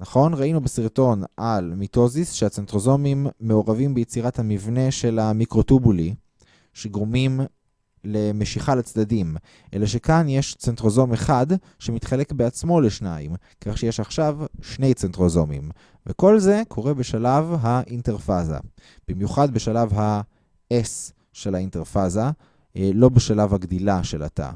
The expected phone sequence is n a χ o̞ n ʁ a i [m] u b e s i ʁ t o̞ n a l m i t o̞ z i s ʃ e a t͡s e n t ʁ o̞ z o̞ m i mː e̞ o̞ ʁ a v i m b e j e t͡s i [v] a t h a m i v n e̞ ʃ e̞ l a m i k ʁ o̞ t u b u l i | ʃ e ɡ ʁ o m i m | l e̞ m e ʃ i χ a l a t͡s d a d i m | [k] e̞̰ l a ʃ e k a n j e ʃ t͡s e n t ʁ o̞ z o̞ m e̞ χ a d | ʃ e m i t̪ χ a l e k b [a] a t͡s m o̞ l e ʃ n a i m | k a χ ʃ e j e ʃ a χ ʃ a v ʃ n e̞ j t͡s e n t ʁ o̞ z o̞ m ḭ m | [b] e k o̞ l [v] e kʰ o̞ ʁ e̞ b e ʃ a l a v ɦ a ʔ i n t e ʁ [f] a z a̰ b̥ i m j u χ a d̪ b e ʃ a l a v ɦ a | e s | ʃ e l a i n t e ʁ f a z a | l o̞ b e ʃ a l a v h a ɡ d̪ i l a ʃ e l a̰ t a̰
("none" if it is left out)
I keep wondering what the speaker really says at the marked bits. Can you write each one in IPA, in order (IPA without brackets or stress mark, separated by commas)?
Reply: n, ʁ, ʔ, e, v, z, f